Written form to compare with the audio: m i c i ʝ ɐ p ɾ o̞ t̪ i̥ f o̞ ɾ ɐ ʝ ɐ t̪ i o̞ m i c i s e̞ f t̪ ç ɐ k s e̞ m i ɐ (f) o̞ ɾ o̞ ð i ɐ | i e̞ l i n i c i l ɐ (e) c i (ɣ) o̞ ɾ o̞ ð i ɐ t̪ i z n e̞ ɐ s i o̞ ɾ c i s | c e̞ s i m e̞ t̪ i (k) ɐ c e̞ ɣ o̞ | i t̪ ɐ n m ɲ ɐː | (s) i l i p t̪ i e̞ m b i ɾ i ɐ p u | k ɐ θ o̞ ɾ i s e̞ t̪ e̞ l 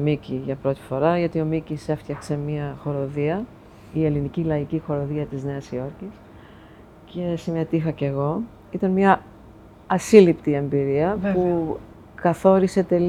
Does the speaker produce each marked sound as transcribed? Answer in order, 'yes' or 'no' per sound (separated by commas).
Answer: no, no, no, no, yes